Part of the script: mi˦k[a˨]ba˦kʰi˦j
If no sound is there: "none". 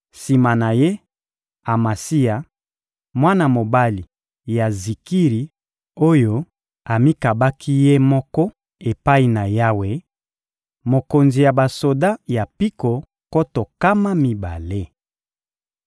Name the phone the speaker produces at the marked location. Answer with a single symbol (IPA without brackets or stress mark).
a˨